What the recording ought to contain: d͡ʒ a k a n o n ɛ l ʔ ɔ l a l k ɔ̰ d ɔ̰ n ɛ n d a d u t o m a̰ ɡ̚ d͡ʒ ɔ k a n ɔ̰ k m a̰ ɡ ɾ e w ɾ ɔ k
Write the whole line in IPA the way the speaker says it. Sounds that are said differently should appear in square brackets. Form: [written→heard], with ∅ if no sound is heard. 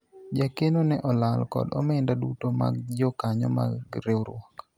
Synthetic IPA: d͡ʒ a k [a→e] n o n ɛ [l→∅] ʔ ɔ l a l k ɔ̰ d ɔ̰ [n→m] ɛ n d a d u t o m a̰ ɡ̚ d͡ʒ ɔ k a [n→ɲ] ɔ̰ [k→∅] m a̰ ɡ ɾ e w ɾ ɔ k